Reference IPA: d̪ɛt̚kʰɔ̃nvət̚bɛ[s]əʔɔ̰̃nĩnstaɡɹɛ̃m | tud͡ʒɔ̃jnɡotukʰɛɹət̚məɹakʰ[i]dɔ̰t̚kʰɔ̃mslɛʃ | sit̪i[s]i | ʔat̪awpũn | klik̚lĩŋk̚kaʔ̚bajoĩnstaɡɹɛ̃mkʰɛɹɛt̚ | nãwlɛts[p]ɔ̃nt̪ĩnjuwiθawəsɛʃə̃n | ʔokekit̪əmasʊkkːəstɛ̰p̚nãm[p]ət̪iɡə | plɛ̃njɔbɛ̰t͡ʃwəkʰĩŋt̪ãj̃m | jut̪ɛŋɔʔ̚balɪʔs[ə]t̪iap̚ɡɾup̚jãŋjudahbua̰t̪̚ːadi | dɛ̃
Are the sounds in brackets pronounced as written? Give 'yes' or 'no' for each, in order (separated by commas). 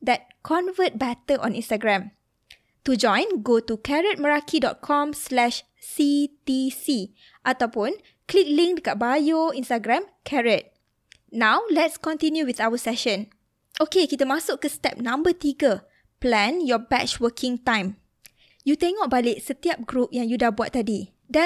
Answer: no, yes, yes, no, no, yes